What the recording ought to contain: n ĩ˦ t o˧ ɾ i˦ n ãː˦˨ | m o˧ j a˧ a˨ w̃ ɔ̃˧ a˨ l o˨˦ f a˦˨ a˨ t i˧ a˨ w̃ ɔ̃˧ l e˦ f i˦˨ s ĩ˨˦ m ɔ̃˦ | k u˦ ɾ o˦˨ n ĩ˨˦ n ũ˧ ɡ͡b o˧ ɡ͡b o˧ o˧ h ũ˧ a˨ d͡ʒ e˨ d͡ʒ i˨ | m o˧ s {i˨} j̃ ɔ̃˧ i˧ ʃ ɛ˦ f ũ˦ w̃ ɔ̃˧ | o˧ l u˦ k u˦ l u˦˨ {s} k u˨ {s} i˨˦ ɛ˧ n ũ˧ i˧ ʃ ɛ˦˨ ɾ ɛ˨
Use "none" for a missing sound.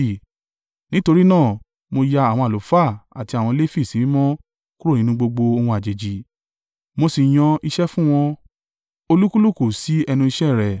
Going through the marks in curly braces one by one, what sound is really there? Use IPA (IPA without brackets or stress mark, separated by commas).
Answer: i˨, none, s